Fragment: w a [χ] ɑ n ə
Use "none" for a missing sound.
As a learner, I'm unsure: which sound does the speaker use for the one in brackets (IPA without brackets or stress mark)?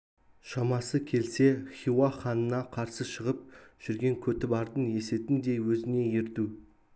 χ